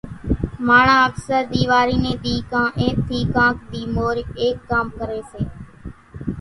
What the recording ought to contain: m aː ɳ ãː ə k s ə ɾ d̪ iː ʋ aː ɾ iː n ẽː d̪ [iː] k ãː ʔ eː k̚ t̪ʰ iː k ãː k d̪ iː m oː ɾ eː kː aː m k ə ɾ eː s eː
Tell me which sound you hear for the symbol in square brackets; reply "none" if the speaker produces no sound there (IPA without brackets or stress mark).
iː